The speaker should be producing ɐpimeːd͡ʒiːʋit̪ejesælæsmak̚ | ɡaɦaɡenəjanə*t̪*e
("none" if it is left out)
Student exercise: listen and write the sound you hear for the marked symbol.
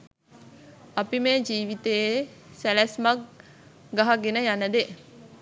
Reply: d̪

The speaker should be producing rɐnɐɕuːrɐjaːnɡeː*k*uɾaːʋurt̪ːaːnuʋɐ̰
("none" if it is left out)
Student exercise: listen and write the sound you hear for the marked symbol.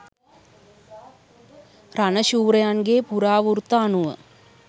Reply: p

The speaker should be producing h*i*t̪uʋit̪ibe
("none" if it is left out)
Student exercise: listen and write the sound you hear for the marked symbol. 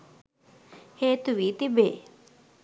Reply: e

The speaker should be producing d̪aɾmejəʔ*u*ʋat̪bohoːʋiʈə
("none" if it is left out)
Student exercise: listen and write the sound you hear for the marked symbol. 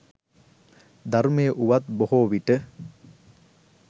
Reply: u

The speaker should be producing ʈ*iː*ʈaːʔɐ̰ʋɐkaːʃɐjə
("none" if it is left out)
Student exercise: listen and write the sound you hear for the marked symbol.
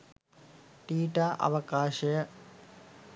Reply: iː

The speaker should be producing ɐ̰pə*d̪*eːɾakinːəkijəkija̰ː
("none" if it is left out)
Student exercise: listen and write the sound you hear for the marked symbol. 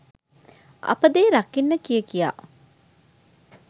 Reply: d̪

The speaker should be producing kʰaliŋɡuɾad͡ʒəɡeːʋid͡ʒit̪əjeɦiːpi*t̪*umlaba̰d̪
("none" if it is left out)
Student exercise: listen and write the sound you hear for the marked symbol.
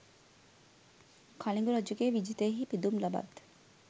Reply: d̪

